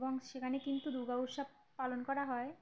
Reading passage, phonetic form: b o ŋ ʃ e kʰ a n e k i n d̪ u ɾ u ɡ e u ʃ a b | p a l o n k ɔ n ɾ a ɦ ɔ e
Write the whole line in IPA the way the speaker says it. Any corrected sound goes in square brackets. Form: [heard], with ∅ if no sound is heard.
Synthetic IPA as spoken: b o ŋ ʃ e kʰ a n e k i n [t̪] u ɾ u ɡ [a] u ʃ a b | p a l o n k ɔ [∅] ɾ a ɦ ɔ e